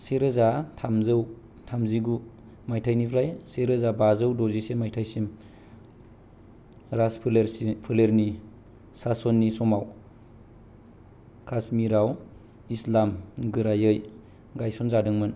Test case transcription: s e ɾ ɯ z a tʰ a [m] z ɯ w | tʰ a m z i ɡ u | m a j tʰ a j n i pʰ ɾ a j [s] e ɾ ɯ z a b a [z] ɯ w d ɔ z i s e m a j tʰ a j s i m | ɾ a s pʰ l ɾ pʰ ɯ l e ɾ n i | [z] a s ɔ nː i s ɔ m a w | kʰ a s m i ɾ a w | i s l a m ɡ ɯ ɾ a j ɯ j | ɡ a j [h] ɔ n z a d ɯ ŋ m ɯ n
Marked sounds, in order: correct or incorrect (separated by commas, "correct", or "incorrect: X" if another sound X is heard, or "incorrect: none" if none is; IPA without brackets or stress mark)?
correct, correct, correct, incorrect: s, incorrect: s